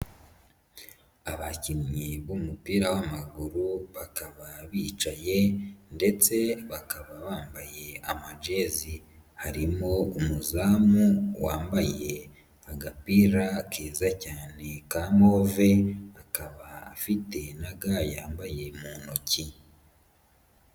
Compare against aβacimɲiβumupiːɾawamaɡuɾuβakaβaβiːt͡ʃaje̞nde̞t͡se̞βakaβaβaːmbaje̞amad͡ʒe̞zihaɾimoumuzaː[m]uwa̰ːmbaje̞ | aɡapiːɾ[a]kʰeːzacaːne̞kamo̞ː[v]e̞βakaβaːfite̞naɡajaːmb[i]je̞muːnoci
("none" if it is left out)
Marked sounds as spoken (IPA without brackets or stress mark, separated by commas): m, a, v, a